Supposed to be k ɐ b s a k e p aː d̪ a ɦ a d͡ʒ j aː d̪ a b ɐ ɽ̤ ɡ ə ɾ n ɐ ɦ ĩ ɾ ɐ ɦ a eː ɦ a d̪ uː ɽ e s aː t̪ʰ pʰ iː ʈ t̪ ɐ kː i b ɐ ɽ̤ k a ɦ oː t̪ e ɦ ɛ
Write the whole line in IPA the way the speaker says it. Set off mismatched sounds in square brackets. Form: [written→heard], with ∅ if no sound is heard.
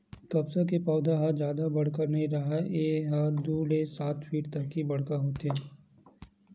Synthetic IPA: k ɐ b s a k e p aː d̪ a ɦ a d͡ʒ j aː d̪ a b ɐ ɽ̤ [ɡ→k] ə ɾ n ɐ ɦ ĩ ɾ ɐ ɦ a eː ɦ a d̪ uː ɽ e s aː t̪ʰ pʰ iː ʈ t̪ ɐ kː i b ɐ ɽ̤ k a ɦ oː t̪ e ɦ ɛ

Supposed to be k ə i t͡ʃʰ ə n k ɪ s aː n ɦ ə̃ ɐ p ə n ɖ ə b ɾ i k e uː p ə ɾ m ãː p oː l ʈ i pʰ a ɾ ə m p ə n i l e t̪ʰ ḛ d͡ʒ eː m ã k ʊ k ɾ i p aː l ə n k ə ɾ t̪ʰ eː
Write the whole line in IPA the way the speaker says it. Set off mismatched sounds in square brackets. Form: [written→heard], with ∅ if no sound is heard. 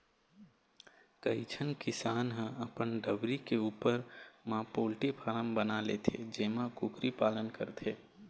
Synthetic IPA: k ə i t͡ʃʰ ə n k ɪ s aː n ɦ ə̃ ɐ p ə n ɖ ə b ɾ i k e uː p ə ɾ m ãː p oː l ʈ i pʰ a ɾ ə m [p→b] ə n [i→a] l e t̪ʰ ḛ d͡ʒ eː m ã k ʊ k ɾ i p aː l ə n k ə ɾ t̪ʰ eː

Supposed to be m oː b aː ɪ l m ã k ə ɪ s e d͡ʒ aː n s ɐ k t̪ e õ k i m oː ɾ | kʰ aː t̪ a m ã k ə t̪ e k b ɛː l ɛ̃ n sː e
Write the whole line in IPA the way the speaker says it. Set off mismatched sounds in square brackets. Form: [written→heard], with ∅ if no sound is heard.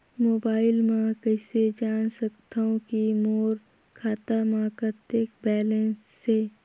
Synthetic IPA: m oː b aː ɪ l m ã k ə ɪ s e d͡ʒ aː n s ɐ k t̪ [e→a] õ k i m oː ɾ | kʰ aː t̪ a m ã k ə t̪ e k b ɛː l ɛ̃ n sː e

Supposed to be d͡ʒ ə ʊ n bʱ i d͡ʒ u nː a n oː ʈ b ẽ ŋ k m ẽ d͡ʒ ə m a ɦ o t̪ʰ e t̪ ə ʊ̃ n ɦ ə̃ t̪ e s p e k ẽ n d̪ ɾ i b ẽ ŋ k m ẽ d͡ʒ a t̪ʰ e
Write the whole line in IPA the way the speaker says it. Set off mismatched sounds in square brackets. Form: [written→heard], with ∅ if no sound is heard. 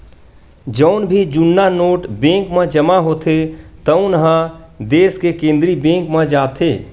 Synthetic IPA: d͡ʒ ə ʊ n bʱ i d͡ʒ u nː a n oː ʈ b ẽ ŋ k m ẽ d͡ʒ ə m a ɦ o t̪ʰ e t̪ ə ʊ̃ n ɦ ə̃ [t̪→d̪] e s [p→k] e k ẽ n d̪ ɾ i b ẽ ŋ k m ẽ d͡ʒ a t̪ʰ e

